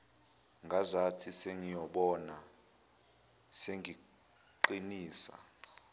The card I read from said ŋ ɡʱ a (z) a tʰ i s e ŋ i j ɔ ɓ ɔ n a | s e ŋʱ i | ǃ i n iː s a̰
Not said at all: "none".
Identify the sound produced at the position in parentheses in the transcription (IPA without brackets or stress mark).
z